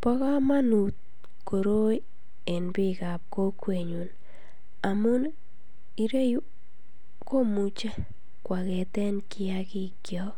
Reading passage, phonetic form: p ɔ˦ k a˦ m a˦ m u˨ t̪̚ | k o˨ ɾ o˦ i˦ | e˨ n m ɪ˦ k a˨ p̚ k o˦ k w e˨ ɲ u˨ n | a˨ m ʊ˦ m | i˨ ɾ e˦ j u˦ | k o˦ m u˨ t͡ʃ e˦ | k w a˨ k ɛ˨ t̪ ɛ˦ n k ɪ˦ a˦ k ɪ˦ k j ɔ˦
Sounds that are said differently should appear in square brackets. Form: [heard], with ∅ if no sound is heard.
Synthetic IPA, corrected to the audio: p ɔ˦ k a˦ m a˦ [n] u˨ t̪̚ | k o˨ ɾ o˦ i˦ | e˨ n [b] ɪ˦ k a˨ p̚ k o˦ k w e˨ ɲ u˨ n | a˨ m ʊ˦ [n] | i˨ ɾ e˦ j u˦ | k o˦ m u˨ t͡ʃ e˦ | k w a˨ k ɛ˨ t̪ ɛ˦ n k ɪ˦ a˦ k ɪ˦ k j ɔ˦

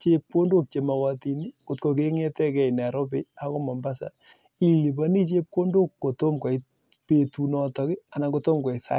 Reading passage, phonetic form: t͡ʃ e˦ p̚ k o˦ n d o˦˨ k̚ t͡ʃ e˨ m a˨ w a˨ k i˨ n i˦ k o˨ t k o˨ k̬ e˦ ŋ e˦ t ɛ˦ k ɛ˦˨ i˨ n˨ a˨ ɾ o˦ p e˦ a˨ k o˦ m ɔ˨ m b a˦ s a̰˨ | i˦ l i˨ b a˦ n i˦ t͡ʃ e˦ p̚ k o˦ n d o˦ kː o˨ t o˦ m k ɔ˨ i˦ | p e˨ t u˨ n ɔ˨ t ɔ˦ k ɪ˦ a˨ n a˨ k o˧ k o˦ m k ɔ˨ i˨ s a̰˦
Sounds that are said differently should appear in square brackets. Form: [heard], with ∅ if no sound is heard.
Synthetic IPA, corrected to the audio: t͡ʃ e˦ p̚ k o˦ n d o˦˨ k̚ t͡ʃ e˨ m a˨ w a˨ [t] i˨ n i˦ k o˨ t k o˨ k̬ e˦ ŋ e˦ t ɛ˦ k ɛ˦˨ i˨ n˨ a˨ ɾ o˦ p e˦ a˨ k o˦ m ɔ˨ m b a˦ s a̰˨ | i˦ l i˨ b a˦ n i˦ t͡ʃ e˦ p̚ k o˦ n d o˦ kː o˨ t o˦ m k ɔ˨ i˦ | p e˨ t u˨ n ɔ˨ t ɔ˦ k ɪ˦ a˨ n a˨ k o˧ [t] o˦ m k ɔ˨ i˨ s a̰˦

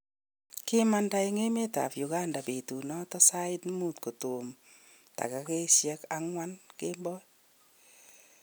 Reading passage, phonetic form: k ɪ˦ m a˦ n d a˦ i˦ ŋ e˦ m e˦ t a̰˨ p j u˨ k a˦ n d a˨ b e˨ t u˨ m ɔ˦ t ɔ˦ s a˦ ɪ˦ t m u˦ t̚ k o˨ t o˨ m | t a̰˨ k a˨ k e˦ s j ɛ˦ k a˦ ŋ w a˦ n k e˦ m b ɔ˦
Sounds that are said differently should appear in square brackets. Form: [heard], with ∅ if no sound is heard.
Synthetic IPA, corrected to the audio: k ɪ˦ m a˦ n d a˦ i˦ ŋ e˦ m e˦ t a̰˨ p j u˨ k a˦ n d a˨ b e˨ t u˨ [n] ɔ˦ t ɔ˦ s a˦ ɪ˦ t m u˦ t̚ k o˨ t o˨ m | t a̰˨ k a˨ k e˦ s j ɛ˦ k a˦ ŋ w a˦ n k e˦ m b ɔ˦

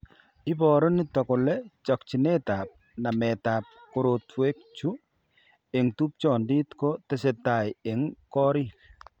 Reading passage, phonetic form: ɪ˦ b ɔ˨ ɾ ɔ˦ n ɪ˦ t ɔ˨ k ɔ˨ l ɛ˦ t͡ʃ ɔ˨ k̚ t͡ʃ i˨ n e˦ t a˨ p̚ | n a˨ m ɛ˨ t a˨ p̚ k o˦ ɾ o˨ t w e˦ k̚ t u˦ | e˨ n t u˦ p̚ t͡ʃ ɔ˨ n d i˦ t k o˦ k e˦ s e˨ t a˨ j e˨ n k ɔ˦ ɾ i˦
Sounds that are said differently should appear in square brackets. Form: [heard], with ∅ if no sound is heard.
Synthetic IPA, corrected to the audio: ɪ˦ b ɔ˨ ɾ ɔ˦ n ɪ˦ t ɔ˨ k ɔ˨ l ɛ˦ t͡ʃ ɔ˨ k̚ t͡ʃ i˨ n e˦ t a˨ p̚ | n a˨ m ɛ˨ t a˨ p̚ k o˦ ɾ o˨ t w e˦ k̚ [t͡ʃ] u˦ | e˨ [ŋ] t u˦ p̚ t͡ʃ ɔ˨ n d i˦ t k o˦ [t] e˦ s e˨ t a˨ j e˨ [ŋ] k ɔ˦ ɾ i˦

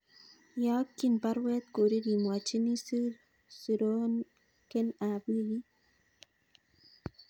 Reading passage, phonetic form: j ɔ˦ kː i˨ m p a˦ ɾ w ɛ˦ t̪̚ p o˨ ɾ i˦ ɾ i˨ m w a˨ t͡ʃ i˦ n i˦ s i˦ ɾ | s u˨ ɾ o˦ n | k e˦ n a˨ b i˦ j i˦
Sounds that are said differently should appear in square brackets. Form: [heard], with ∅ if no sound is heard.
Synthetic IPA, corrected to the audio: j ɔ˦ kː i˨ [n] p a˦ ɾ w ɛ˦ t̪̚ [k] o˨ ɾ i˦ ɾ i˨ m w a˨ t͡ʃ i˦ n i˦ s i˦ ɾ | s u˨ ɾ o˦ n | k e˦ n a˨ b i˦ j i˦

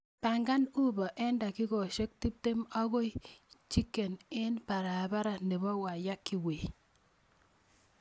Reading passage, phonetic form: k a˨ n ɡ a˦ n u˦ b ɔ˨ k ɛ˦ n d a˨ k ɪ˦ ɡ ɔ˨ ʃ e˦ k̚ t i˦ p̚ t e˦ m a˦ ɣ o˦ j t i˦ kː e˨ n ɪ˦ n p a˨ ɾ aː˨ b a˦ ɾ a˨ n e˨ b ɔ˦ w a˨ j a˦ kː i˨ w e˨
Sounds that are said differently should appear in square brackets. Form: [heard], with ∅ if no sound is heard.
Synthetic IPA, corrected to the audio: [p] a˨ [ŋ] ɡ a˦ n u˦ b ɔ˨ [ʔ] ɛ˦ n d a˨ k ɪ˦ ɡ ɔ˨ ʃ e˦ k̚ t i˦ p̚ t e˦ m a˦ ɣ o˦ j [t͡ʃ] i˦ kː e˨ n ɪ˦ n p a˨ ɾ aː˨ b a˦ ɾ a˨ n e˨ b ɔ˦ w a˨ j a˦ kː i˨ w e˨

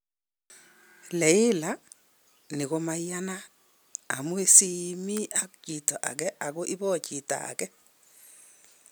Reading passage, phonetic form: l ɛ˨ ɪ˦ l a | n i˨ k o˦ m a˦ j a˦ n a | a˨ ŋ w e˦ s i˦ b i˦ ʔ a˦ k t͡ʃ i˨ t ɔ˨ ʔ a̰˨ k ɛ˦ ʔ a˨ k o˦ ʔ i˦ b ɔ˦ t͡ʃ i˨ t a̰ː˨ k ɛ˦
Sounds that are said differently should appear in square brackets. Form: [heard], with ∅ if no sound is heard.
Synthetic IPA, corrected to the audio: l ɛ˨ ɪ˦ l a | n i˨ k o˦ m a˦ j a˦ n a | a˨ [m] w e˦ s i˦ [m] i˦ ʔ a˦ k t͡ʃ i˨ t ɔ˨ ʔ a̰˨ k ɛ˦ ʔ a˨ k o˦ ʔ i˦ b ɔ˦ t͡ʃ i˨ t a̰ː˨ k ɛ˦

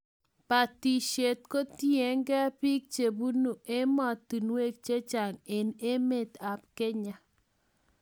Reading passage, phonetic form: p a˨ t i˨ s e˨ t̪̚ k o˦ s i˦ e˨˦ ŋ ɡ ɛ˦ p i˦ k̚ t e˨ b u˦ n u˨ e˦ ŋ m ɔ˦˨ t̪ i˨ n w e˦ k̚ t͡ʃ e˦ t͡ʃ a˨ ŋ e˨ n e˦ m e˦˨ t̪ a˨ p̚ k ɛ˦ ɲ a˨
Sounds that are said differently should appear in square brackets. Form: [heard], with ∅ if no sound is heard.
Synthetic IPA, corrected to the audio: p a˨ t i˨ [ʃ] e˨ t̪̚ k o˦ [t] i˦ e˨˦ ŋ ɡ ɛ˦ p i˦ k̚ [t͡ʃ] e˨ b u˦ n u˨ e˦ [∅] m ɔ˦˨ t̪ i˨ n w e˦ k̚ t͡ʃ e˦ t͡ʃ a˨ ŋ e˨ n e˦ m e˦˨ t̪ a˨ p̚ k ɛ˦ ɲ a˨

